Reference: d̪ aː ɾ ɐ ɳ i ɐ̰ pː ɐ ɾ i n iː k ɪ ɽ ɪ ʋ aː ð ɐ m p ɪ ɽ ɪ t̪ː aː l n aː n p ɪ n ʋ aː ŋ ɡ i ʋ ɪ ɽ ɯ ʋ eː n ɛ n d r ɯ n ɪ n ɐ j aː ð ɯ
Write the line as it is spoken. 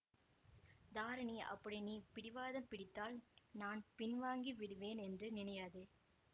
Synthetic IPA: d̪ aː ɾ ɐ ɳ i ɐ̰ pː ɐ ɽ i n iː p ɪ ɽ ɪ ʋ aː ð ɐ m p ɪ ɽ ɪ t̪ː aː l n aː n p ɪ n ʋ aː ŋ ɡ i ʋ ɪ ɽ ɯ ʋ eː n ɛ n d r ɯ n ɪ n ɐ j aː ð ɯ

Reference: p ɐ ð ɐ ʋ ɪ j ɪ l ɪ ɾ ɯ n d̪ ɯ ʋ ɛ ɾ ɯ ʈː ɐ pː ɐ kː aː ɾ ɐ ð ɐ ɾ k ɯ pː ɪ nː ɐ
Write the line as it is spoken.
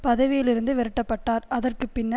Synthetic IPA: p ɐ ð ɐ ʋ ɪ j ɪ l ɪ ɾ ɯ n d̪ ɯ ʋ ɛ ɾ ɯ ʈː ɐ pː ɐ ʈː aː ɾ ɐ ð ɐ r k ɯ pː ɪ nː ɐ

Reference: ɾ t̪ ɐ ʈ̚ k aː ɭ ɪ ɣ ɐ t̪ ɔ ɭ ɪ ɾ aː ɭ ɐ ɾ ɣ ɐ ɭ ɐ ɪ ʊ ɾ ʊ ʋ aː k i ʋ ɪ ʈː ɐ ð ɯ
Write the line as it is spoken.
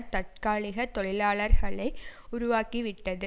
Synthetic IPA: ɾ t̪ ɐ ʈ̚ k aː ɭ ɪ ɣ ɐ t̪ ɔ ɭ ɪ l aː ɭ ɐ ɾ ɣ ɐ ɭ ɐ ɪ ʊ ɾ ʊ ʋ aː k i ʋ ɪ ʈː ɐ ð ɯ

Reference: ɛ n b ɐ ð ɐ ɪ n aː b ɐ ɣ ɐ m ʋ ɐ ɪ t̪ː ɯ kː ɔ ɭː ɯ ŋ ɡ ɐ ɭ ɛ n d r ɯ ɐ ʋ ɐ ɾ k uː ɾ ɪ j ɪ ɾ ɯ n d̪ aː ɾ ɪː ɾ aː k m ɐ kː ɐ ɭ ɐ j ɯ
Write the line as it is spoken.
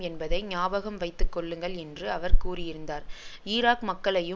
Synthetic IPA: ɛ n b ɐ ð ɐ ɪ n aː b ɐ ɣ ɐ m ʋ ɐ ɪ t̪ː ɯ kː ɔ ɭː ɯ ŋ ɡ ɐ ɭ ɛ n d r ɯ ɐ ʋ ɐ ɾ k uː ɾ ɪ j ɪ ɾ ɯ n d̪ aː ɾ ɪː ɾ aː k m ɐ kː ɐ ɭ ɐ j ɯ

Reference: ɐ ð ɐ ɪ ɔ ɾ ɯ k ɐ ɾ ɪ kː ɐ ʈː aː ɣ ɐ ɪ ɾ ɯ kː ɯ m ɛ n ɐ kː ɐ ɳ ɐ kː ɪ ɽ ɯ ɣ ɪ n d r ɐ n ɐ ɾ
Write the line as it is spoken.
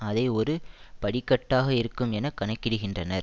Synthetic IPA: ɐ ð ɐ ɪ ɔ ɾ ɯ p ɐ ɽ ɪ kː ɐ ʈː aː ɣ ɐ ɪ ɾ ɯ kː ɯ m ɛ n ɐ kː ɐ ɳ ɐ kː ɪ ɽ ɯ ɣ ɪ n d r ɐ n ɐ ɾ

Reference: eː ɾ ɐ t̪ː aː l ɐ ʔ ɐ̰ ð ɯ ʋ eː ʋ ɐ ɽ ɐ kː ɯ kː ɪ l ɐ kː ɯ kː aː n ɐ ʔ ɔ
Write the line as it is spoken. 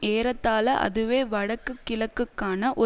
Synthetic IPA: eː ɾ ɐ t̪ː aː l ɐ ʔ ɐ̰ ð ɯ ʋ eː ʋ ɐ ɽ ɐ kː ɯ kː ɪ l ɐ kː ɯ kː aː n ɐ ʔ ɔ

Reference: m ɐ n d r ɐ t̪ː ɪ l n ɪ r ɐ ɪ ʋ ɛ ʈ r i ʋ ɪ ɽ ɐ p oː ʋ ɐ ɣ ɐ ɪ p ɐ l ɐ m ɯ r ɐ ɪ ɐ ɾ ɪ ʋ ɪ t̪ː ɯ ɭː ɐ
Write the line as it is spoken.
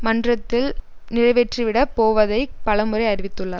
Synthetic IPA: m ɐ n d r ɐ t̪ː ɪ l n ɪ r ɐ ɪ ʋ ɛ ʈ r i ʋ ɪ ɽ ɐ p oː ʋ ɐ ð ɐ ɪ p ɐ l ɐ m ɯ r ɐ ɪ ɐ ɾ ɪ ʋ ɪ t̪ː ɯ ɭː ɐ

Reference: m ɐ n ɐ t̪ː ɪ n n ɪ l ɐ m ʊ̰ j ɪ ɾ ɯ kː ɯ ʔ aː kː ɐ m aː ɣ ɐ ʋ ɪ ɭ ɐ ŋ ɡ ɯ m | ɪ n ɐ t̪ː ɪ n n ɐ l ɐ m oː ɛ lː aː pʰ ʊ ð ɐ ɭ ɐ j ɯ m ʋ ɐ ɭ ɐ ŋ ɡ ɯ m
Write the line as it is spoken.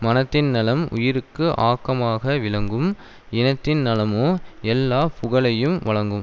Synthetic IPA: m ɐ n ɐ t̪ː ɪ n n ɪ l ɐ m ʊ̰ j ɪ ɾ ɯ kː ɯ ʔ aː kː ɐ m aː ɣ ɐ ʋ ɪ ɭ ɐ ŋ ɡ ɯ m | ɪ n ɐ t̪ː ɪ n n ɐ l ɐ m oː ɛ lː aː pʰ ʊ ɣ ɐ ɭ ɐ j ɯ m ʋ ɐ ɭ ɐ ŋ ɡ ɯ m

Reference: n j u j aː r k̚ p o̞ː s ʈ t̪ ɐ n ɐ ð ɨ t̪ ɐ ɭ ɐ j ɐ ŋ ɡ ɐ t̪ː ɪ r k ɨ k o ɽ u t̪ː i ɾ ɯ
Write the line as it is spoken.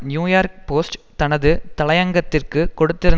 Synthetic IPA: n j uː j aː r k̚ p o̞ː s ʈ t̪ ɐ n ɐ ð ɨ t̪ ɐ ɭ ɐ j ɐ ŋ ɡ ɐ t̪ː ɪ r k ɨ k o ɽ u t̪ː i ɾ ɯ

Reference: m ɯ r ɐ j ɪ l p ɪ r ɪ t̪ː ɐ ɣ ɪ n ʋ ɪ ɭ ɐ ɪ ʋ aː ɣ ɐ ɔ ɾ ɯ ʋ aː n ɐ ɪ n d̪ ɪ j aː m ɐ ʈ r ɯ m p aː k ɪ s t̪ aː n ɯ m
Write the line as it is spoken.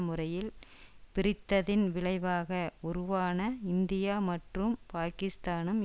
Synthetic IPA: m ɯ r ɐ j ɪ l p ɪ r ɪ t̪ː ɐ ð ɪ n ʋ ɪ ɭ ɐ ɪ ʋ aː ɣ ɐ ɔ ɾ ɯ ʋ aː n ɐ ɪ n d̪ ɪ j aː m ɐ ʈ r ɯ m p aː k ɪ s t̪ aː n ɯ m

